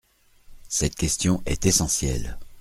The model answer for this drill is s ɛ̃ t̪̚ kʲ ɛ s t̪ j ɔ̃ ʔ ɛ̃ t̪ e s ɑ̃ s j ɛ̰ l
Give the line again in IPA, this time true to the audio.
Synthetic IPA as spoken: s ɛ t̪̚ kʲ ɛ s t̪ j ɔ̃ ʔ ɛ t̪ e s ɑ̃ s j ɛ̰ l